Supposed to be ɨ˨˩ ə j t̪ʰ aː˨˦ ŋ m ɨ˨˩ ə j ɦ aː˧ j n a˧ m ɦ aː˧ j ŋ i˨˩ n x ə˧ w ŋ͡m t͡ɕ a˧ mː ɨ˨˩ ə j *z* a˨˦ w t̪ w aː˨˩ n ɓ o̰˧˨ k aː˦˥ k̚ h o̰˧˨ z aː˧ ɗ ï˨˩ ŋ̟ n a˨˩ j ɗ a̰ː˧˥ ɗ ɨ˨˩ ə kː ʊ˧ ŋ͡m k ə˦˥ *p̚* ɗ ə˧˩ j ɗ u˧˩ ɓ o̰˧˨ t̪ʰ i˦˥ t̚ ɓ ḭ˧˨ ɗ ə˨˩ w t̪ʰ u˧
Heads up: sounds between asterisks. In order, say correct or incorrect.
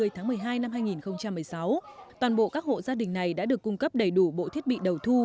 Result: incorrect, correct

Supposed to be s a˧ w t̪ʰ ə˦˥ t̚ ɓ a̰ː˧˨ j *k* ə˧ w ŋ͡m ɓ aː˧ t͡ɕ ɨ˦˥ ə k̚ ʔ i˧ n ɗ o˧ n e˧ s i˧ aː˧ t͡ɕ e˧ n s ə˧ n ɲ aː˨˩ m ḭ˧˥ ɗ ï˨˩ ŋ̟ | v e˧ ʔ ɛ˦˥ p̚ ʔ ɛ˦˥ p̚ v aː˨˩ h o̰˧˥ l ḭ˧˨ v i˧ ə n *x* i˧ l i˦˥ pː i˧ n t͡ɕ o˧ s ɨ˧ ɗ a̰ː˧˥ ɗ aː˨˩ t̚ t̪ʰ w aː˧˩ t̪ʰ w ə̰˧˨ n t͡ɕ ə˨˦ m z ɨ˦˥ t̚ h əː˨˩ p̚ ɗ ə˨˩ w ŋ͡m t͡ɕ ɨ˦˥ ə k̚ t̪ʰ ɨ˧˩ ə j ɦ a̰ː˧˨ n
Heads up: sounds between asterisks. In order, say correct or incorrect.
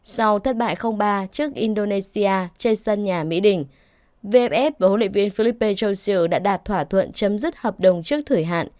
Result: incorrect, incorrect

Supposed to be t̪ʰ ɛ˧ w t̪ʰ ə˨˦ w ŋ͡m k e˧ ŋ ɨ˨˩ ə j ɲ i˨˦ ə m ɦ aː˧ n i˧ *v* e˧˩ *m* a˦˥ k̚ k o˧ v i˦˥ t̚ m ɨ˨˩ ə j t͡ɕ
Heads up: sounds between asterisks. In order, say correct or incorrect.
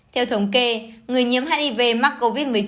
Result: correct, correct

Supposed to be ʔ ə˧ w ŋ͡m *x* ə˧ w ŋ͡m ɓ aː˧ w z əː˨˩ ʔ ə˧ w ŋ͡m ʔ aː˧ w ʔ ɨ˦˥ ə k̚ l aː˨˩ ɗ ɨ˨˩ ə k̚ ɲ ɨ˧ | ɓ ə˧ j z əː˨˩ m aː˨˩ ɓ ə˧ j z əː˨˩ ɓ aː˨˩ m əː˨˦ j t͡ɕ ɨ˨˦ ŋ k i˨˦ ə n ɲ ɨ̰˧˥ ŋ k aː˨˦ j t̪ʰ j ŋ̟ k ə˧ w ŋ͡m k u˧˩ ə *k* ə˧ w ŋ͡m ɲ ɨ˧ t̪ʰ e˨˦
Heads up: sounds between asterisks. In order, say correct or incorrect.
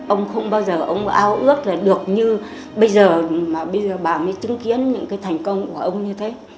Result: correct, incorrect

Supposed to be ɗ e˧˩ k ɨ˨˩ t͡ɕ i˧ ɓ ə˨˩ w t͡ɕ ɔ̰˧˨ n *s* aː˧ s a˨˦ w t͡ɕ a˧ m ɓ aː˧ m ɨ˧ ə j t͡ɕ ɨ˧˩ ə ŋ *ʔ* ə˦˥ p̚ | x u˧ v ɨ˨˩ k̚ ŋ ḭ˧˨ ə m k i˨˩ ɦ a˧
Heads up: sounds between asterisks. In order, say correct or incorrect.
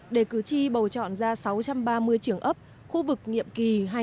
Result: incorrect, correct

